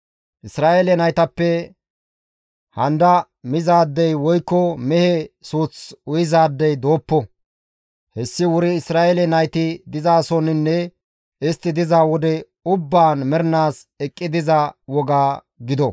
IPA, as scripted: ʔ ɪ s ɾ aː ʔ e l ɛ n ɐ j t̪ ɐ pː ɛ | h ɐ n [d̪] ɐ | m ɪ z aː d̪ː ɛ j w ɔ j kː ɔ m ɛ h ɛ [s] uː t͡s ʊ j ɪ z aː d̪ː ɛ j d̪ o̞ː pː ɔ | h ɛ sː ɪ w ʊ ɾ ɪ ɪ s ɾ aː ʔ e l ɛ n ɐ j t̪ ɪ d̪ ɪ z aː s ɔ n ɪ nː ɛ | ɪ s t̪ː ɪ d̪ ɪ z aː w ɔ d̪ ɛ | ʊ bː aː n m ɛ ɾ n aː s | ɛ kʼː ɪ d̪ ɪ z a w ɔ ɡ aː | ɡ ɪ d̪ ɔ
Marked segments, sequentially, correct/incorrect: correct, correct

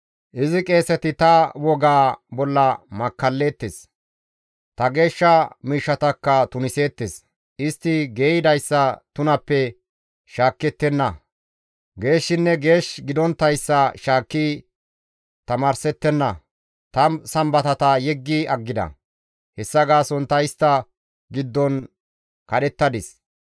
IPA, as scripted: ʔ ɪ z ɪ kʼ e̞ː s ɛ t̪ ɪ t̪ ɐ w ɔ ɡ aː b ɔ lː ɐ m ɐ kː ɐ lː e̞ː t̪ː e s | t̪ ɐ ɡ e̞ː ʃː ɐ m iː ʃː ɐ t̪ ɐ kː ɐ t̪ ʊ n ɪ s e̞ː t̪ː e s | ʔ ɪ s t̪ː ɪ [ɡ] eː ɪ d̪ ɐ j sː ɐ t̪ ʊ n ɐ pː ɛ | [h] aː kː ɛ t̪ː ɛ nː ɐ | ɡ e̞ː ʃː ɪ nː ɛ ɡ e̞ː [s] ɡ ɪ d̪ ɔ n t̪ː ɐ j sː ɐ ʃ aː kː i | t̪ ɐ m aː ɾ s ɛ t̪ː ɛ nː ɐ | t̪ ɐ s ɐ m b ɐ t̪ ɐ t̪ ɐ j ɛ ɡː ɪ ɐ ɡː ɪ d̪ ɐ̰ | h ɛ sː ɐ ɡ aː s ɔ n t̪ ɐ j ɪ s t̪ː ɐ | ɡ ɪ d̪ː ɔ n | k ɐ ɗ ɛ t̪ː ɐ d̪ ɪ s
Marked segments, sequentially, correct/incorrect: correct, incorrect: ʃ, incorrect: ʃ

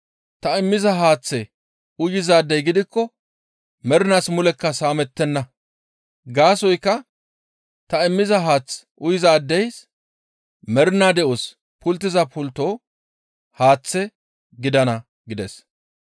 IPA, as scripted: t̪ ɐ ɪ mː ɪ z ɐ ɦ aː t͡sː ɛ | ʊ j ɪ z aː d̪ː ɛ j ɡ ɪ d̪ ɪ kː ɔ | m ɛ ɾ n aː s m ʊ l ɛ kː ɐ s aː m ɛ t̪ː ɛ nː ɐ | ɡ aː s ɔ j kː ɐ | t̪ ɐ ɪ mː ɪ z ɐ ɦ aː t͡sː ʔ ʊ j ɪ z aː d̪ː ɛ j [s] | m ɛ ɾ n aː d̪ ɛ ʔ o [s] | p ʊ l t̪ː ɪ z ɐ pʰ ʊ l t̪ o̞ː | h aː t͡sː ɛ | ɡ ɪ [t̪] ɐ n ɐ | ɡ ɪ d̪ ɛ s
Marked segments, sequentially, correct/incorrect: correct, correct, incorrect: d̪

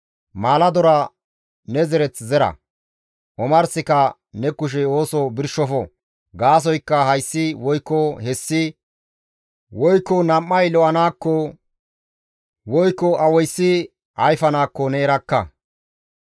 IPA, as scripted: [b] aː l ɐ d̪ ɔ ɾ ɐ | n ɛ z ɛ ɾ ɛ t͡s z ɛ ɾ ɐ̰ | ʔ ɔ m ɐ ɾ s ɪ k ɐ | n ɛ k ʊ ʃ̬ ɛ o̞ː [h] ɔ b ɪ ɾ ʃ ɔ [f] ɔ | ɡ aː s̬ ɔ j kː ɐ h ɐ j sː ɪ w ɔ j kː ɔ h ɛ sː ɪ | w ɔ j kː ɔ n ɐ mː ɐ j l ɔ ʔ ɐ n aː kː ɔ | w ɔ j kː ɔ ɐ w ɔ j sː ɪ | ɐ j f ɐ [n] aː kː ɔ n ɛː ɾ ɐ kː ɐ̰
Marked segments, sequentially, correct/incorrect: incorrect: m, incorrect: s, correct, correct

